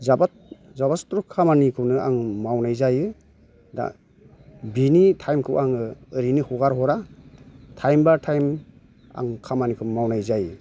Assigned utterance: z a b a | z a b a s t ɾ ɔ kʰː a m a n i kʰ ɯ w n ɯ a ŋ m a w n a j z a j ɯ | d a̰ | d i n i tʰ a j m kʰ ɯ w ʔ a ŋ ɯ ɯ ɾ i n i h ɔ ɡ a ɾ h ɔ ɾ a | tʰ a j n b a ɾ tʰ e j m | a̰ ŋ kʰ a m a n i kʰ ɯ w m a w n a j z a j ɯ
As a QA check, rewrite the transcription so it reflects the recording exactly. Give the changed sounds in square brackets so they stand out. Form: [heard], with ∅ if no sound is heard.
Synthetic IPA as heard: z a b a | z a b a s t ɾ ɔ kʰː a m a n i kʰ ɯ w n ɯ a ŋ m a w n a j z a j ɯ | d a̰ | [b] i n i tʰ a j m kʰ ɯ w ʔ a ŋ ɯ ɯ ɾ i n i h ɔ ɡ a ɾ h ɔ ɾ a | tʰ a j [m] b a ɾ tʰ [a] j m | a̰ ŋ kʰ a m a n i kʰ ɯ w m a w n a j z a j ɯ